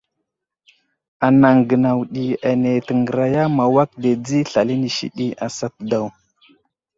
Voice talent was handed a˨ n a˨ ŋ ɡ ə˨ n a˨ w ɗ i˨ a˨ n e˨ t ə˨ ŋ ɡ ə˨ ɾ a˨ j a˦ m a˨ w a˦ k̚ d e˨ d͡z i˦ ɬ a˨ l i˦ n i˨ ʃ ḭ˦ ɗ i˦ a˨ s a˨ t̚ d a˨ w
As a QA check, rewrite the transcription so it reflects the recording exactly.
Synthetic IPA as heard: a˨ n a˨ ŋ ɡ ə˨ n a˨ w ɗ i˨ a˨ n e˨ t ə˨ ŋ ɡ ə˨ ɾ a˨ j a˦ m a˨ w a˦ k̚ d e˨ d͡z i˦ ɬ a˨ l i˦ n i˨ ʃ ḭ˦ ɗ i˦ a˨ s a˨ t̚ d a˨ w